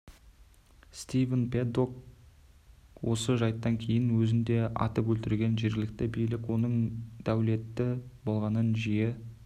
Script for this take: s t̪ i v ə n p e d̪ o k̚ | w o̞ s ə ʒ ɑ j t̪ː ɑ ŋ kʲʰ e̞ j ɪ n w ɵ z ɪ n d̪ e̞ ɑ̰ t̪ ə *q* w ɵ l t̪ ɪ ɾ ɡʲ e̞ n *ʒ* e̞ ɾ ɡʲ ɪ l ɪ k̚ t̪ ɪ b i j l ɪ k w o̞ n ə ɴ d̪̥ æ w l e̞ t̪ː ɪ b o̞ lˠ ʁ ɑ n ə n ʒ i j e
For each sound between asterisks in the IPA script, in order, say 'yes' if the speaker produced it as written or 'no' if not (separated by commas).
no, yes